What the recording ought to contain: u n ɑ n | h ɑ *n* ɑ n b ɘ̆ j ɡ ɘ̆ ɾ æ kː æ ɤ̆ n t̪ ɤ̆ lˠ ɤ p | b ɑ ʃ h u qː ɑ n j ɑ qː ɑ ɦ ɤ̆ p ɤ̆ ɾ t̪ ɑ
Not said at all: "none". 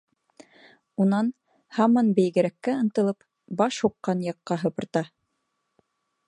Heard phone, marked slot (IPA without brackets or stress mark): m